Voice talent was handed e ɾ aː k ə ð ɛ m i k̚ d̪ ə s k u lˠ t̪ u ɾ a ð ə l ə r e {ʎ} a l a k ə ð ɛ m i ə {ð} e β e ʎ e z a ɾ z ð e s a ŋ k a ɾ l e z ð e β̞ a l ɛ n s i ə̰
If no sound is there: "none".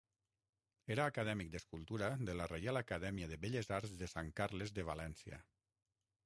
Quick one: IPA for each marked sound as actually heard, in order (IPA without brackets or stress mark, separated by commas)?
j, ð